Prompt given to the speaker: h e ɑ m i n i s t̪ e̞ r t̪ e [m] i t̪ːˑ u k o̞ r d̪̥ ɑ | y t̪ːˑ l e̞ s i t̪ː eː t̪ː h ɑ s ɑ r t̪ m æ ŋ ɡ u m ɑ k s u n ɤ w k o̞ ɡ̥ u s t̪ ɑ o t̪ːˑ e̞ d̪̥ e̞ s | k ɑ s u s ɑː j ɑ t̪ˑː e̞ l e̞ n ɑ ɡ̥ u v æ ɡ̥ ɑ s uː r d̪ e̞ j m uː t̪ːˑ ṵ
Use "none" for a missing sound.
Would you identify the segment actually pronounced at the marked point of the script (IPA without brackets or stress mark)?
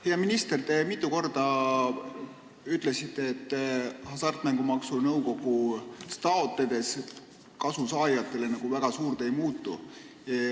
m